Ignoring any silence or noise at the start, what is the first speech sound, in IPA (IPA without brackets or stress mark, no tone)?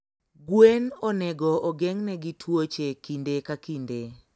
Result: ɡ